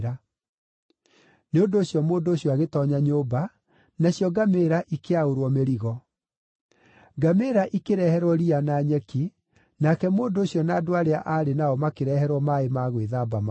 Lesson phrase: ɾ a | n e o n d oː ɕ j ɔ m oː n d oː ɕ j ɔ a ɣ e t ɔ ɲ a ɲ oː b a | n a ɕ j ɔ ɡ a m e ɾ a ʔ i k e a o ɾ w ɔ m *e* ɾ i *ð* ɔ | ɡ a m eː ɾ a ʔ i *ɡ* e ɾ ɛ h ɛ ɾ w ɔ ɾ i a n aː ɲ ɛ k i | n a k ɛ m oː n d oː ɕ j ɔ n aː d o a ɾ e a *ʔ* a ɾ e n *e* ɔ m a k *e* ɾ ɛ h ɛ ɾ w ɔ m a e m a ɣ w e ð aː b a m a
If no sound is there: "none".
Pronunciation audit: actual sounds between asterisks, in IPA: e, ɣ, k, ʔ, a, e

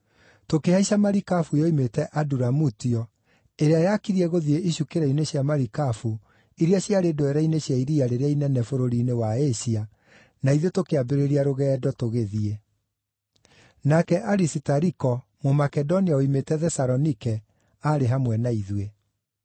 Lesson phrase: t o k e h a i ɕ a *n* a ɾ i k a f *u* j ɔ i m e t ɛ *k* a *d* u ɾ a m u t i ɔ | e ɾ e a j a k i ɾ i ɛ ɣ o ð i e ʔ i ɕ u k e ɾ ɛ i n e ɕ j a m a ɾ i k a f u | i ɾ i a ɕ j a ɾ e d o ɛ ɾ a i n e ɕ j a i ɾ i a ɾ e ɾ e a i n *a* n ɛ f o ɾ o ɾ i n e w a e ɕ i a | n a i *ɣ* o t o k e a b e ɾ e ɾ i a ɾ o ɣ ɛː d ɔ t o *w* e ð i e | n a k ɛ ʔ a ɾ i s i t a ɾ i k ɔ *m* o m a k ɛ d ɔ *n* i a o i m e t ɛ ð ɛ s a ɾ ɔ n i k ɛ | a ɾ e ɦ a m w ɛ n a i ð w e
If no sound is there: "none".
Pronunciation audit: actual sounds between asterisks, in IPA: m, u, ʔ, d, ɛ, ð, ɣ, m, n

